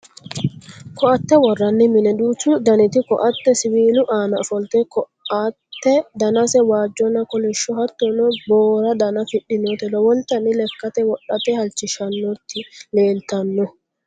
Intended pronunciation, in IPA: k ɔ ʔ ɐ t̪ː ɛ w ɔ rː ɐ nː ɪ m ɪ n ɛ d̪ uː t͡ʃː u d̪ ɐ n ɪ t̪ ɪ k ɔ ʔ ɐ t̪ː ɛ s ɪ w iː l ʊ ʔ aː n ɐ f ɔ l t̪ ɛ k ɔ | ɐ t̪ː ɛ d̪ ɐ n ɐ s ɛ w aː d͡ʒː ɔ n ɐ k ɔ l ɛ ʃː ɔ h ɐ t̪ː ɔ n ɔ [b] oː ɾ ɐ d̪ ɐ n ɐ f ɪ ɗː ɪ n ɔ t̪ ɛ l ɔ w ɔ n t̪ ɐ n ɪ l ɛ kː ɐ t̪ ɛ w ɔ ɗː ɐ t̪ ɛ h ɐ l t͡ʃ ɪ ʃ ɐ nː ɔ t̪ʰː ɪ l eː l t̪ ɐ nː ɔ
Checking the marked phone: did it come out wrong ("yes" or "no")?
no